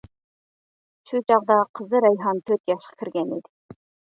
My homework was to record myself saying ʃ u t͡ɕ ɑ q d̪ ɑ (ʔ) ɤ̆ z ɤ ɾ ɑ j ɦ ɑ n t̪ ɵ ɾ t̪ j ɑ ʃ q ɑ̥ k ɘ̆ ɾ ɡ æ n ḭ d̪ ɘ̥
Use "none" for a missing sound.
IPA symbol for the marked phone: q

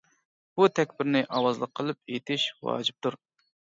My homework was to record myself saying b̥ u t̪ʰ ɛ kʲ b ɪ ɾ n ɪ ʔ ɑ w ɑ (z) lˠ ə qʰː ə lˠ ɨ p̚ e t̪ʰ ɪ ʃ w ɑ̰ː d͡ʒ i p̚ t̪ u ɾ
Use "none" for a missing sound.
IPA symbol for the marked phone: z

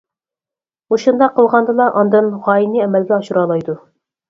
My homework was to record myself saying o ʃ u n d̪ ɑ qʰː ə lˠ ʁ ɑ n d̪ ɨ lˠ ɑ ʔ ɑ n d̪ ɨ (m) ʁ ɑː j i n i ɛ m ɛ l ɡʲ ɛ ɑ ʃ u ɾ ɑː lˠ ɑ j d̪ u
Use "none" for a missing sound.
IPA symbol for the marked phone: n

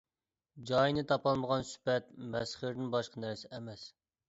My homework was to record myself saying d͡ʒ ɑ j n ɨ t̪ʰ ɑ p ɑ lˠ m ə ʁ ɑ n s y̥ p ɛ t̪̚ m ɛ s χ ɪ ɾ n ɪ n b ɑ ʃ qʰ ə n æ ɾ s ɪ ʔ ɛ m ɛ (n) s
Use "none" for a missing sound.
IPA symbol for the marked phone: none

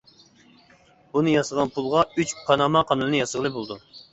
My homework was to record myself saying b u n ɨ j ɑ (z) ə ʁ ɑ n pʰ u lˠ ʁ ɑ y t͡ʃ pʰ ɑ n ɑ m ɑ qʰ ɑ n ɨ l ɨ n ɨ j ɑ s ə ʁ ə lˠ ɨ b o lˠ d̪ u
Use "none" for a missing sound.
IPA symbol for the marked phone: s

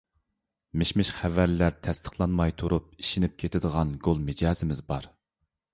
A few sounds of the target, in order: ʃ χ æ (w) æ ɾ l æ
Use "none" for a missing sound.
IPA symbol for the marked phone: v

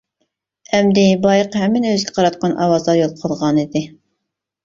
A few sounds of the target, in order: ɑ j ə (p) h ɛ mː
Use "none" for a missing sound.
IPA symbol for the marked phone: q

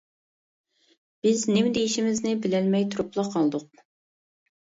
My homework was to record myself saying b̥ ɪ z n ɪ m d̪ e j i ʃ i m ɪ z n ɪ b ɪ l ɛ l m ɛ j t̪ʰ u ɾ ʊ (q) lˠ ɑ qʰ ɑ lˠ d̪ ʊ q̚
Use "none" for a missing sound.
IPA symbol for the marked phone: p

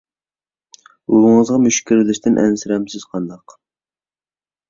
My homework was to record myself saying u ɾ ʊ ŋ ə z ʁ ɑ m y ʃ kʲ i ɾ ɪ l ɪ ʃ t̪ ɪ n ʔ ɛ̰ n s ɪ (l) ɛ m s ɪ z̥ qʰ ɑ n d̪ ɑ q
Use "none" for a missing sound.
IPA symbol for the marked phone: ɾ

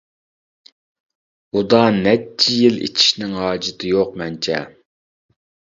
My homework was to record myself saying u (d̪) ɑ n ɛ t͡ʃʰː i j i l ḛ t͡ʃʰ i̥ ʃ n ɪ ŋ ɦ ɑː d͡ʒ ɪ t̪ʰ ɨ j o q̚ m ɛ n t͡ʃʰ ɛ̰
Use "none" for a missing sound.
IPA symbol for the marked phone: d̪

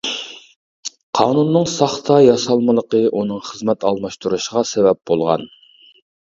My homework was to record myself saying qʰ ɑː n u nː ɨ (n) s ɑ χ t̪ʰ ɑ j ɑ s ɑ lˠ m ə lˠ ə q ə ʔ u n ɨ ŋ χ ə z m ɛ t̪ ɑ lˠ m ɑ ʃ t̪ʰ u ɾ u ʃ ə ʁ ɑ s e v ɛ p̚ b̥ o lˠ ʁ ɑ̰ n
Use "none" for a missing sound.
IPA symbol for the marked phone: ŋ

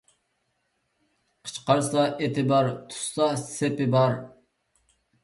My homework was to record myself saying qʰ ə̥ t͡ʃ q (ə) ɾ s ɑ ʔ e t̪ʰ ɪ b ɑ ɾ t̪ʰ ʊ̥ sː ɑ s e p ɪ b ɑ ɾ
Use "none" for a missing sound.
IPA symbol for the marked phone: ɑ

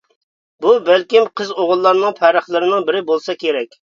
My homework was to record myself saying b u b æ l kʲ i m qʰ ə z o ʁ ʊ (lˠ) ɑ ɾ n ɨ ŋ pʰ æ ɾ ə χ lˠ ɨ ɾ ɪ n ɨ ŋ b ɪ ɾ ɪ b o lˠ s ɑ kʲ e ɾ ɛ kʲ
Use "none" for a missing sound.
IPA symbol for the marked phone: lˠː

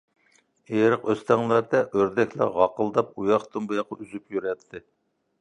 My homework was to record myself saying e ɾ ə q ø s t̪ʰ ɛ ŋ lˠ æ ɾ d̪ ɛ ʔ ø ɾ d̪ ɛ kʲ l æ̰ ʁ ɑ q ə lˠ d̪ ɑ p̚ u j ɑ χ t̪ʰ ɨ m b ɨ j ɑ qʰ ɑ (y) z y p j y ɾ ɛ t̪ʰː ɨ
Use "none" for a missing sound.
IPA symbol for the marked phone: y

